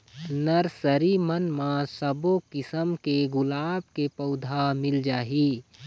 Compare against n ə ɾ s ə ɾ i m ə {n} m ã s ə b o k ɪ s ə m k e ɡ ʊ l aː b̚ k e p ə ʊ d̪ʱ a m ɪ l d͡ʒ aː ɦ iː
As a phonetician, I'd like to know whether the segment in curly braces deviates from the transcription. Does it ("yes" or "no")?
no